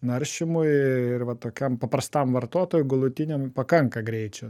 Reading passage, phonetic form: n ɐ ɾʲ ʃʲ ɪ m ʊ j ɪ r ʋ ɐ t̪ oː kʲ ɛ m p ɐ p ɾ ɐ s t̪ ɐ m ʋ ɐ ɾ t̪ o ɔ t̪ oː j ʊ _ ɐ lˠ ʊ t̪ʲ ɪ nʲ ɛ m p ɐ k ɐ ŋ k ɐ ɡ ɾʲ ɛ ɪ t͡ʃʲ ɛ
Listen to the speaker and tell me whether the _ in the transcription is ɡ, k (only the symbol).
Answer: ɡ